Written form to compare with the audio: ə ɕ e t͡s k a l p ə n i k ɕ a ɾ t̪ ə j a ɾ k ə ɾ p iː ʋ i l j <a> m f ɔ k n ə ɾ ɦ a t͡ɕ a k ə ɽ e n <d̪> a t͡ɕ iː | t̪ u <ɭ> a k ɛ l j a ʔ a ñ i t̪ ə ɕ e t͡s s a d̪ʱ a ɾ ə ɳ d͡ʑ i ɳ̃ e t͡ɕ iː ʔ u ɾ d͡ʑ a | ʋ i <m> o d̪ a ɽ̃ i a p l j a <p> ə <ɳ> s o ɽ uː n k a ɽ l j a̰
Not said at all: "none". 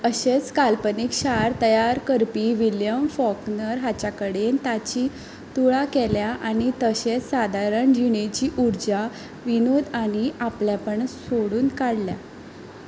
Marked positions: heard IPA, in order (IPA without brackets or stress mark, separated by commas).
ə, t̪, ɭ, n, p, ɳ